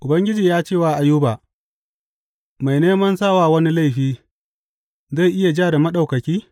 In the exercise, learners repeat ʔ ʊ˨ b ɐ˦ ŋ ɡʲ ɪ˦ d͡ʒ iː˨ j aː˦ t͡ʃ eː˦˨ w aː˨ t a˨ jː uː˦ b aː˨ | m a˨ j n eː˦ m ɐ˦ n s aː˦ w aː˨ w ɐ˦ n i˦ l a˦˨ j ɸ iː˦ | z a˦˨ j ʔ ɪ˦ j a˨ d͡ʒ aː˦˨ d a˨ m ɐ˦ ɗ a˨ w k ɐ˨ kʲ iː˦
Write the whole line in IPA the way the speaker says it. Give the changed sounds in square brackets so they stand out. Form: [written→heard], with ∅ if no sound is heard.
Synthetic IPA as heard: ʔ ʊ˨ b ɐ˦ ŋ ɡʲ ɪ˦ d͡ʒ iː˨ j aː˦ t͡ʃ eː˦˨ w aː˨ [t→ʔ] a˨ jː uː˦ b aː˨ | m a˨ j n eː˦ m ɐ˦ n s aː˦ w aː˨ w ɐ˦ n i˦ l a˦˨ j ɸ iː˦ | z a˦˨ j ʔ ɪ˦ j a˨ d͡ʒ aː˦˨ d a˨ m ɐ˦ ɗ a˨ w k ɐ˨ kʲ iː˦